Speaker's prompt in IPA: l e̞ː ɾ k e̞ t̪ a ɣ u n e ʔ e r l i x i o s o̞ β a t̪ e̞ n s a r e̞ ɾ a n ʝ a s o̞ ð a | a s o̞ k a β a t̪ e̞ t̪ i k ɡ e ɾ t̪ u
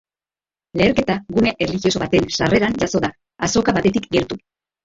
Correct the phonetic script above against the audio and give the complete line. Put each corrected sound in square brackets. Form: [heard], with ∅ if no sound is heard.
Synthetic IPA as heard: l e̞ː ɾ k e̞ t̪ a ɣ u n e ʔ e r l i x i o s o̞ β a t̪ e̞ n s a r e̞ ɾ a n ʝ a s o̞ ð a | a s o̞ k a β a t̪ e̞ t̪ i k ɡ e ɾ t̪ u